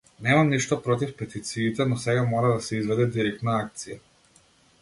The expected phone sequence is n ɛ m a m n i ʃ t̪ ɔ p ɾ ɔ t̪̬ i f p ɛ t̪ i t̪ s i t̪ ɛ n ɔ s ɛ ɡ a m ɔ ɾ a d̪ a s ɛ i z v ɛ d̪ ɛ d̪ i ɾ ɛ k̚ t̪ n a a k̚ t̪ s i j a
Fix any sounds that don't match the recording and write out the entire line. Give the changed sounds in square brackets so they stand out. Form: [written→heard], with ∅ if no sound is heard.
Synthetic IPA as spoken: n ɛ m a m n i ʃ t̪ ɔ p ɾ ɔ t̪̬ i f p ɛ t̪ i t̪ s [i→iː] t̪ ɛ n ɔ s ɛ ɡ a m ɔ ɾ a d̪ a s ɛ i z v ɛ d̪ ɛ d̪ i ɾ ɛ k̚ t̪ n a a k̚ t̪ s i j a